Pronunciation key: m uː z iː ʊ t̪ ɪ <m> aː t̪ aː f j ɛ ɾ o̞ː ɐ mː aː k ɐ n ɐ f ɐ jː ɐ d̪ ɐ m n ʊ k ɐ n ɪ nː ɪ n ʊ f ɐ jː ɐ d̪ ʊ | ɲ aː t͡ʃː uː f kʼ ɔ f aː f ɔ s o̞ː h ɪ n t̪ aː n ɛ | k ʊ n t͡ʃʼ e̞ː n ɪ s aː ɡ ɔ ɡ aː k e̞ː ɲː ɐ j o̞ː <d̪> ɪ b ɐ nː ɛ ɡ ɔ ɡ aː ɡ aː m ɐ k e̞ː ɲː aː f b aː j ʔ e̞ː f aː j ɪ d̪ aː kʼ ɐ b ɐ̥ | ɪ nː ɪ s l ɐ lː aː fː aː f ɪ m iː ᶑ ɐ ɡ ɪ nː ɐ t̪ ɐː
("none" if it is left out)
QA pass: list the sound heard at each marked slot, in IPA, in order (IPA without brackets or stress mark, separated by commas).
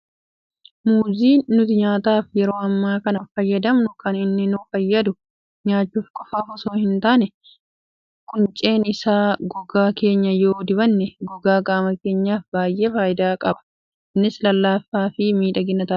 ɲ, d̪